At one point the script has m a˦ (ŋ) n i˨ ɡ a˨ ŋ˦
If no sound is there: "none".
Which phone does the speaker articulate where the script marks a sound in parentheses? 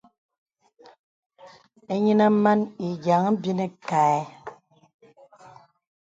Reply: none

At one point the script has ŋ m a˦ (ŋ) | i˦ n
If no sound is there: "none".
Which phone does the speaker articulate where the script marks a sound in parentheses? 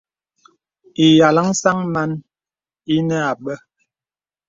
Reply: n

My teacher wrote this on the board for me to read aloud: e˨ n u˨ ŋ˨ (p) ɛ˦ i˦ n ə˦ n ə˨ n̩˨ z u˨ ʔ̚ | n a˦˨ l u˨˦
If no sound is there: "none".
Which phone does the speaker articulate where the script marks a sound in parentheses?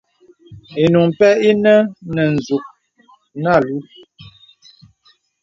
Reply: p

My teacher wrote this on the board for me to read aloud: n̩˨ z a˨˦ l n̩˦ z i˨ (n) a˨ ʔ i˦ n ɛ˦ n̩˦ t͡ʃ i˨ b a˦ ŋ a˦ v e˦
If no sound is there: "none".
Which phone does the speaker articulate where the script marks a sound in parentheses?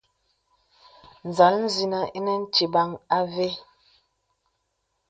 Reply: n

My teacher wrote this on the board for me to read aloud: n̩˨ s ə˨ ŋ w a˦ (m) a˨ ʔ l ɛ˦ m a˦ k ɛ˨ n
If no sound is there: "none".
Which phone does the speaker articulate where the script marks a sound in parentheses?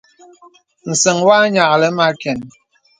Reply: ɲ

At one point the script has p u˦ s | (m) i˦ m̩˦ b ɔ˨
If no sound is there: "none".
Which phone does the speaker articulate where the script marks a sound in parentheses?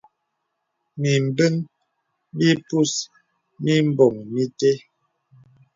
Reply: m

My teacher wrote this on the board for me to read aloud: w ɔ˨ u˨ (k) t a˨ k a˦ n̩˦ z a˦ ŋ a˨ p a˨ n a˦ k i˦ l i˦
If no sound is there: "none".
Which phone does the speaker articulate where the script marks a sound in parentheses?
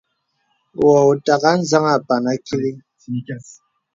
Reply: none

